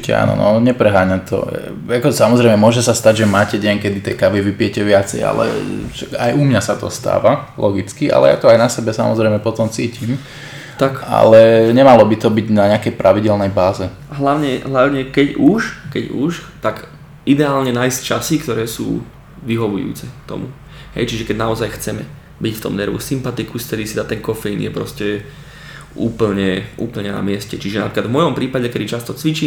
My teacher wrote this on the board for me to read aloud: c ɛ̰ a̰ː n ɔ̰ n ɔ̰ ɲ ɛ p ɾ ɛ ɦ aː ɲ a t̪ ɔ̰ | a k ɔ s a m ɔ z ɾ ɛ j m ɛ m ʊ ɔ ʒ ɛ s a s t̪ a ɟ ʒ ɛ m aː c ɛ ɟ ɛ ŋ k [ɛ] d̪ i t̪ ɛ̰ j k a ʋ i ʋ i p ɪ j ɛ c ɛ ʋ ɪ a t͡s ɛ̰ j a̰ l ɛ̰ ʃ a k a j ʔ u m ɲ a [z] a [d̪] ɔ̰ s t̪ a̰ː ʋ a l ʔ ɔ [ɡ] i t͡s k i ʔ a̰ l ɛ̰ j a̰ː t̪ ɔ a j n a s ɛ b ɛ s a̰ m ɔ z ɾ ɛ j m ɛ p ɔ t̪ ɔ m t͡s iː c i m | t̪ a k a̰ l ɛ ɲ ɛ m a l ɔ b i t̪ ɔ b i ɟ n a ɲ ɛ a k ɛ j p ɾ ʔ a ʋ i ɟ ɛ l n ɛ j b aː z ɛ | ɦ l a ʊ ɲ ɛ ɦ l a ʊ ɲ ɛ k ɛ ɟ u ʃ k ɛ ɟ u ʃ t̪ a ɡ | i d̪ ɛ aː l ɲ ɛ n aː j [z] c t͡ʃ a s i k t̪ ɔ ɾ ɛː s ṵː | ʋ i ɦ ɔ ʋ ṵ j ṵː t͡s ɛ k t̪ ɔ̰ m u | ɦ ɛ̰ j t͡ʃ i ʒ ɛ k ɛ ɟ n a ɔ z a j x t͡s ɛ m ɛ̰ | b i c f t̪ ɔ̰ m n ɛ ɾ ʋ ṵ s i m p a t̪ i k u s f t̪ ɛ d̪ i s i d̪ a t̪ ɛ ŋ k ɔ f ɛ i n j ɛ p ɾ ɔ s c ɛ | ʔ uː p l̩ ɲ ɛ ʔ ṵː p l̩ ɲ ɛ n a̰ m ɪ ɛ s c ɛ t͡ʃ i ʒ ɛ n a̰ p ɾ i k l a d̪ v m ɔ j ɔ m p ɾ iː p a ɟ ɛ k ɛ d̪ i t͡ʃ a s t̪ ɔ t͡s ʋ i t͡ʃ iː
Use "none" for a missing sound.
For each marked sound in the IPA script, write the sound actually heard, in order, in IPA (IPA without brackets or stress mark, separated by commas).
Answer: ɛ, s, t̪, ɡ, s